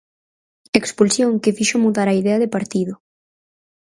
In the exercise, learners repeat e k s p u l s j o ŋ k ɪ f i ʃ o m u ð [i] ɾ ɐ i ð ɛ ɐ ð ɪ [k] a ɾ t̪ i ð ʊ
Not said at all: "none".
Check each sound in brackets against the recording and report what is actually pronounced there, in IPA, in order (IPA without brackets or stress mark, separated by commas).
a, p